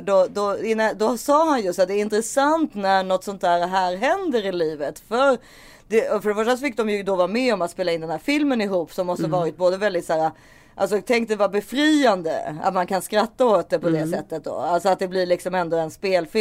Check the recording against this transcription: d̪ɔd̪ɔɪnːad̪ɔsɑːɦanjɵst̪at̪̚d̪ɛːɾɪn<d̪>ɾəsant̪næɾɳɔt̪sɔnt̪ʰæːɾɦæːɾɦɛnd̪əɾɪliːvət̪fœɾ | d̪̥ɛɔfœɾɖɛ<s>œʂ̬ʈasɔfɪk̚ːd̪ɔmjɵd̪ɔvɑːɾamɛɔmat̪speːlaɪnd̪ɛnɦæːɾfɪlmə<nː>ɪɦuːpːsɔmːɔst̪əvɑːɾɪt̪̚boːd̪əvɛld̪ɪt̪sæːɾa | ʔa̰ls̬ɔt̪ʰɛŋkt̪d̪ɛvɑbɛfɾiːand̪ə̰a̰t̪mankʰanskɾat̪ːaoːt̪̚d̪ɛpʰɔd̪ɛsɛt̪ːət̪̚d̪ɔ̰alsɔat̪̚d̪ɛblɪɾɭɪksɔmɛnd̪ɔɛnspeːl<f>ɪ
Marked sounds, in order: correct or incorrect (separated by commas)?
incorrect, incorrect, incorrect, correct